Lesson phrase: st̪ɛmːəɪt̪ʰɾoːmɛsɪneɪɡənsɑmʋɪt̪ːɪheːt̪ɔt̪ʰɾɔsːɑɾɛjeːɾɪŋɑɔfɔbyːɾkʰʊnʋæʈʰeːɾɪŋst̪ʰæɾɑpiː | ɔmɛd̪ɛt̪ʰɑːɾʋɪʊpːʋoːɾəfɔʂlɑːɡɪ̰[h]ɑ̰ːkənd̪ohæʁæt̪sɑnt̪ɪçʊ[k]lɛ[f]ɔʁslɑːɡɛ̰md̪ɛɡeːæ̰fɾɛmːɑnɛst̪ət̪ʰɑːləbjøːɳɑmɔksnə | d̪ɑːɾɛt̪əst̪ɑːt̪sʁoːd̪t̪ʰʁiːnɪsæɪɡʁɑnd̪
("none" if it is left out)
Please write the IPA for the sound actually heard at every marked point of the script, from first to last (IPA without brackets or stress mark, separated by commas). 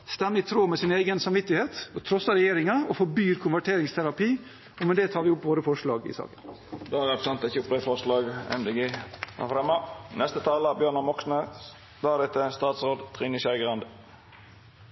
s, p, f